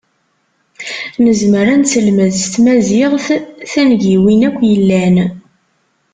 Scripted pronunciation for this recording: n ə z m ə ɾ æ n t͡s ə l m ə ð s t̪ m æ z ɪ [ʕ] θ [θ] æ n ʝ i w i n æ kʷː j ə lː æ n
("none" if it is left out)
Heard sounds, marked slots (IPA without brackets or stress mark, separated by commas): ʁ, θ